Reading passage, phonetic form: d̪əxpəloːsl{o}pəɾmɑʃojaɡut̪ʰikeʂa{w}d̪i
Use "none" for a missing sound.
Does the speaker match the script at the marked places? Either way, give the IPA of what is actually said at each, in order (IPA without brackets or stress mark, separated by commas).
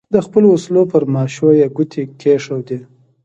o, w